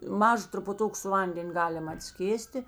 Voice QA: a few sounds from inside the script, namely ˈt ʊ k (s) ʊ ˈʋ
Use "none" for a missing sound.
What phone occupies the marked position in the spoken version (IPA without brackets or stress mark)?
s